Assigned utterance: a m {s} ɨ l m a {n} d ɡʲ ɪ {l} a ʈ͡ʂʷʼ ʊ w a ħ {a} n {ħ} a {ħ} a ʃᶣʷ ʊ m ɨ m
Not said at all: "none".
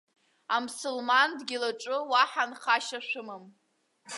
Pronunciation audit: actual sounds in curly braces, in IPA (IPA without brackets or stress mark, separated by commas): s, n, l, a, χ, ʃ